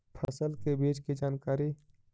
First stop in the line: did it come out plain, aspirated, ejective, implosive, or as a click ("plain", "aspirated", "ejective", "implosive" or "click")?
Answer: aspirated